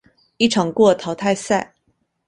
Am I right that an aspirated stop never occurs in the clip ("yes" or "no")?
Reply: no